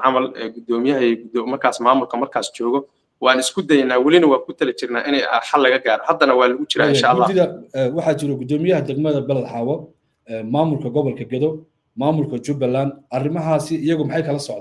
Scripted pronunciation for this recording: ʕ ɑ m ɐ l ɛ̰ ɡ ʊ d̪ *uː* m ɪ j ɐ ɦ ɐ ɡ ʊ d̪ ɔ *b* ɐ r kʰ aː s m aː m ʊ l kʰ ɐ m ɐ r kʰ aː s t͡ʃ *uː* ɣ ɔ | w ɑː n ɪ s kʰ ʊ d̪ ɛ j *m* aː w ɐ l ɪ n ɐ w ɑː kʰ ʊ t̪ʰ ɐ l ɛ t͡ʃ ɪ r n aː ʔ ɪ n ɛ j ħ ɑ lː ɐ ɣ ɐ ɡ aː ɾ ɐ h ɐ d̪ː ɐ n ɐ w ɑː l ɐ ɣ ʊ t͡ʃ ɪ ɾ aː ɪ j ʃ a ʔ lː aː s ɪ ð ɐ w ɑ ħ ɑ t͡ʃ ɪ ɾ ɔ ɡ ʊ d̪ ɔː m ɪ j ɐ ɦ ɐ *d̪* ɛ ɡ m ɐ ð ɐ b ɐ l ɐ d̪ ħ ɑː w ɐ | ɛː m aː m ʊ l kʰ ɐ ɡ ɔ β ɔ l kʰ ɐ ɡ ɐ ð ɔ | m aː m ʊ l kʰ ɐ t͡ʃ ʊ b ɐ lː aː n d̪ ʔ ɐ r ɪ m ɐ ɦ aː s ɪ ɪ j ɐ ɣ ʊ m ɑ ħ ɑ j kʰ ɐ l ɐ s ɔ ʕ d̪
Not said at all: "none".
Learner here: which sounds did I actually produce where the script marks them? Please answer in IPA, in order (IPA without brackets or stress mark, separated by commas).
ɔː, m, ɔː, n, d̪